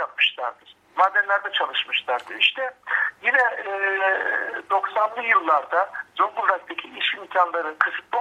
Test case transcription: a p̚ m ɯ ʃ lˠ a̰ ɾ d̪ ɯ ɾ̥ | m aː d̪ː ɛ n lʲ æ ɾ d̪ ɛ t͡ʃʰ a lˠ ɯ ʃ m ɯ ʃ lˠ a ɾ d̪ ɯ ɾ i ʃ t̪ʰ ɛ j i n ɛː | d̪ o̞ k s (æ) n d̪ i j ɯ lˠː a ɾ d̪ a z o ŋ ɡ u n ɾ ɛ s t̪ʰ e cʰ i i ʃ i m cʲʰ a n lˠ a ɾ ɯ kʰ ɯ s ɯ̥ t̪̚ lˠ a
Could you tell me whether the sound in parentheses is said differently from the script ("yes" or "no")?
yes